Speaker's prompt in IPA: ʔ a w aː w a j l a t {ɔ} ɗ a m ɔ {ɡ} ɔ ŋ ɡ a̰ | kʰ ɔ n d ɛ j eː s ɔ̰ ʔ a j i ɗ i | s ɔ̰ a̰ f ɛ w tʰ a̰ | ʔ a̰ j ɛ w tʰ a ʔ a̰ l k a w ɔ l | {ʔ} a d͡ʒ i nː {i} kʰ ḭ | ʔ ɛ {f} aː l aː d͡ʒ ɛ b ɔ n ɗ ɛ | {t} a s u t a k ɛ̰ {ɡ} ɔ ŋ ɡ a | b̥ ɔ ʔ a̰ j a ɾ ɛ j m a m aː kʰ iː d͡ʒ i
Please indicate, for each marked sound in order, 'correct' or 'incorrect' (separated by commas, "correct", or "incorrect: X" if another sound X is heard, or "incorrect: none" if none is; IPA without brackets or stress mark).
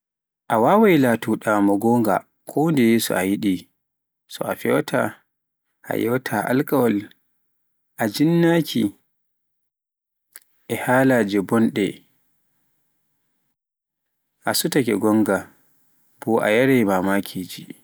incorrect: u, correct, correct, incorrect: a, incorrect: h, incorrect: ʔ, correct